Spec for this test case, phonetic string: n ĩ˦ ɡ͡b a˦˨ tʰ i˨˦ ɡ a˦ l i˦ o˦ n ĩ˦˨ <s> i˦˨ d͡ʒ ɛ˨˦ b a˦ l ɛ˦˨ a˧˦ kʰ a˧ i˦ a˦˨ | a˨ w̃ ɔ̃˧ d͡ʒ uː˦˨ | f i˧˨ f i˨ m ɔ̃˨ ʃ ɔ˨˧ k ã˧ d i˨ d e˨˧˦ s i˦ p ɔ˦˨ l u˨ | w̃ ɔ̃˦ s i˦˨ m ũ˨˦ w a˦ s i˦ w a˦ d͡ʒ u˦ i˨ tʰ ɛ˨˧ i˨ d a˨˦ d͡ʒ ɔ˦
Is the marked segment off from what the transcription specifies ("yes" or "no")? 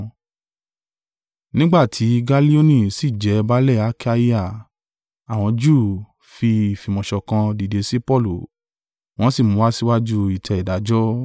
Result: no